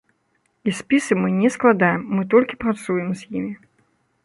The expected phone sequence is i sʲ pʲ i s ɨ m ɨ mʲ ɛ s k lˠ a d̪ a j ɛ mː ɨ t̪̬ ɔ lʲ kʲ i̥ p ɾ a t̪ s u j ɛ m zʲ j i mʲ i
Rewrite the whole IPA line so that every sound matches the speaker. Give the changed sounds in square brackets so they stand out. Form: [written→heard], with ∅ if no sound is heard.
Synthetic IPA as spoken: i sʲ pʲ i s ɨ m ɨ [mʲ→nʲ] ɛ s k lˠ a d̪ a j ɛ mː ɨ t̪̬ ɔ lʲ kʲ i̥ p ɾ a t̪ s u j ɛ m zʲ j i mʲ i